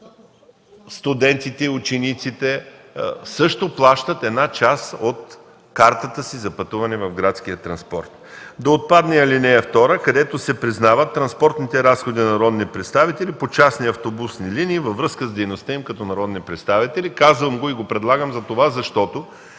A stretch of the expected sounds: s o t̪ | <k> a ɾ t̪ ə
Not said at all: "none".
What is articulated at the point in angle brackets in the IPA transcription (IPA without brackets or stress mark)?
k